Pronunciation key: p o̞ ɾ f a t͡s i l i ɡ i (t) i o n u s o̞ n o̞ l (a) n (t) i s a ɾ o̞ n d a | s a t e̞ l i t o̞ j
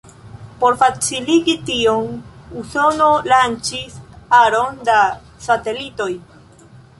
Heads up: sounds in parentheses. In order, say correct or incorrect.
correct, correct, incorrect: t͡ʃ

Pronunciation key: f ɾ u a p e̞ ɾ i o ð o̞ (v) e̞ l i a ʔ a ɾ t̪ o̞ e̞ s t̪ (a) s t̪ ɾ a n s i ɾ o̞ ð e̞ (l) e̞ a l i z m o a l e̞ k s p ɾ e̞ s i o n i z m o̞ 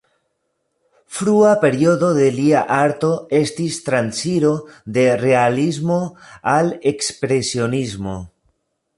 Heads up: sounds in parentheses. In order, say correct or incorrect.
incorrect: ð, incorrect: i, incorrect: r

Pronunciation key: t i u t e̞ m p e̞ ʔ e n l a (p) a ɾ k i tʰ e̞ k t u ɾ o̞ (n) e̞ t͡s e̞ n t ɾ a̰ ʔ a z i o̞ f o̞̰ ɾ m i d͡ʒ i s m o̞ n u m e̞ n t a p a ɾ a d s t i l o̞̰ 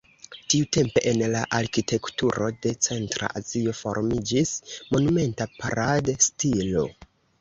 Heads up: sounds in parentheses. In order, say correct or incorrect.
incorrect: ʔ, incorrect: d

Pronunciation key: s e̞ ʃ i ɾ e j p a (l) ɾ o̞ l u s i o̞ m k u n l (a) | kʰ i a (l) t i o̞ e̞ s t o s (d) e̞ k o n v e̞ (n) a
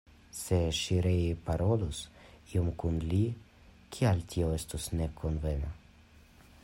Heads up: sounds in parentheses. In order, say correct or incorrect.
incorrect: none, incorrect: i, correct, incorrect: n, correct

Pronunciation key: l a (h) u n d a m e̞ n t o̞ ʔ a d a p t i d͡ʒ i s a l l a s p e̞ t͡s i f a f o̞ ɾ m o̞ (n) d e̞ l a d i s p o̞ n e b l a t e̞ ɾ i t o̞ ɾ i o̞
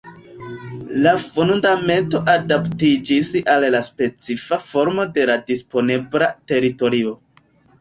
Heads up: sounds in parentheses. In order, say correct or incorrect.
incorrect: f, incorrect: none

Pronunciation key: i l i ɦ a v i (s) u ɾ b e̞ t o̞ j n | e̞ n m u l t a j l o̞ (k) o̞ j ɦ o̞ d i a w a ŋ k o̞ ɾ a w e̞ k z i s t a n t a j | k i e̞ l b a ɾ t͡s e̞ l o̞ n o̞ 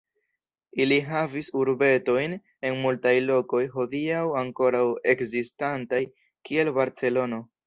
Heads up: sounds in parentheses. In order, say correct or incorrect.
correct, correct

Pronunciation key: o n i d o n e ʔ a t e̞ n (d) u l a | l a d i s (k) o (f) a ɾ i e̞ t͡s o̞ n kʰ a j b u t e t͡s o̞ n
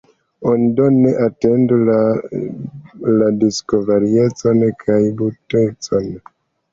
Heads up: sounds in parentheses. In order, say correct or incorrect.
correct, correct, incorrect: v

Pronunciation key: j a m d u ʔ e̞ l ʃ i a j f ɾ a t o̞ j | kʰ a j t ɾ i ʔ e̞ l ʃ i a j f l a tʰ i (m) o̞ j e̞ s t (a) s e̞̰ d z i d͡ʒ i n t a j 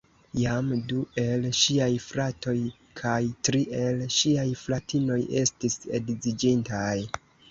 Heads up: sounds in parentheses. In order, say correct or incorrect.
incorrect: n, incorrect: i

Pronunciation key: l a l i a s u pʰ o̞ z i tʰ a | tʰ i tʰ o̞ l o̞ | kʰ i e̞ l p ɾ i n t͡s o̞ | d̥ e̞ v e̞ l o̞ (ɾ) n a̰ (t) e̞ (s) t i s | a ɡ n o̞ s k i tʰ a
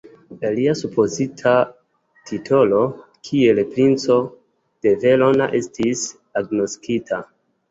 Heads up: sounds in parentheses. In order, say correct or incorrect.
incorrect: none, incorrect: ʔ, correct

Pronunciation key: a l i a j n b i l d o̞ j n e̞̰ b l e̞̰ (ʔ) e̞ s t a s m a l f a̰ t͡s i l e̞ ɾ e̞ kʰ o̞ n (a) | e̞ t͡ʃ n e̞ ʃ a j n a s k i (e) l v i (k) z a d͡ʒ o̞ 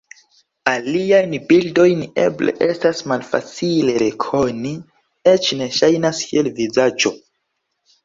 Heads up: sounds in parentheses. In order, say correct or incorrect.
correct, incorrect: i, correct, incorrect: none

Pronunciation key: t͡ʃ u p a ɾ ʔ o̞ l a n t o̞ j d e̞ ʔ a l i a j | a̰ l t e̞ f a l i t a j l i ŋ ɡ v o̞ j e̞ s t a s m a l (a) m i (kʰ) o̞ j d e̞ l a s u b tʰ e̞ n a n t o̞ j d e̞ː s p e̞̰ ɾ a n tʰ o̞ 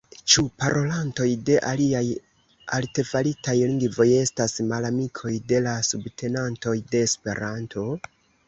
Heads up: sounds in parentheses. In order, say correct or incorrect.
correct, correct

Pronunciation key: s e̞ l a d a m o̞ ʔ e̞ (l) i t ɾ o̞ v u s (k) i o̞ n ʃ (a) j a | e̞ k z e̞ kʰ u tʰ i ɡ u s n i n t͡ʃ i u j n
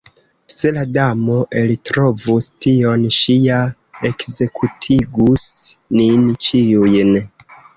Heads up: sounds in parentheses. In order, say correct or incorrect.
correct, incorrect: t, incorrect: i

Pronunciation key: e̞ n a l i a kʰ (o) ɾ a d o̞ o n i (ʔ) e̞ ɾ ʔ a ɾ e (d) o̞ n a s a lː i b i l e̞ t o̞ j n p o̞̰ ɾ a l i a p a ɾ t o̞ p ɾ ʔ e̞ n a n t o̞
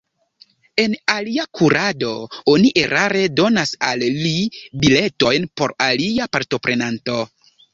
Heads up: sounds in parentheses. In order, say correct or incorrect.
incorrect: u, correct, correct

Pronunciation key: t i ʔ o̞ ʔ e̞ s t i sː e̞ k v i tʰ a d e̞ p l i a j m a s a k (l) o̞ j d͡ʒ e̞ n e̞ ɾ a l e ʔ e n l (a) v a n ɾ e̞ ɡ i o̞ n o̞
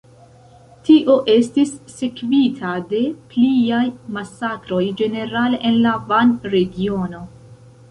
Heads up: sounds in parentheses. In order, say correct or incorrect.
incorrect: ɾ, correct

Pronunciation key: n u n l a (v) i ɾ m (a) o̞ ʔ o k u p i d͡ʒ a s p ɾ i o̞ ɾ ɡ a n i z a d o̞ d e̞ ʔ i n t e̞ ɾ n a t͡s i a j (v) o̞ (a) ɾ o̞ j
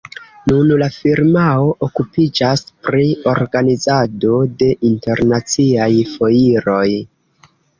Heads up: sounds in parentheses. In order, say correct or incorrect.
incorrect: f, correct, incorrect: f, incorrect: i

